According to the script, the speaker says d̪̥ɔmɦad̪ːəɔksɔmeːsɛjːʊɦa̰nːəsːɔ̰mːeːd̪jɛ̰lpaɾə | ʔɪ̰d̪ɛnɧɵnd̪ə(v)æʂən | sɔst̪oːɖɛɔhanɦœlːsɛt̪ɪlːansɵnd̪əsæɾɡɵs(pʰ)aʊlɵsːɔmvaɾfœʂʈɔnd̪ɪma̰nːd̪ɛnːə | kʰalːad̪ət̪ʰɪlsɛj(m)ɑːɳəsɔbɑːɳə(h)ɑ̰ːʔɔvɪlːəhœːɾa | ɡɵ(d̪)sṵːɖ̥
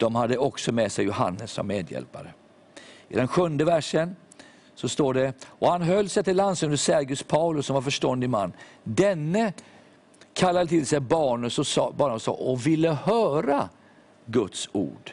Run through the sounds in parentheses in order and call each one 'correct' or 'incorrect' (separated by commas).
correct, correct, incorrect, incorrect, incorrect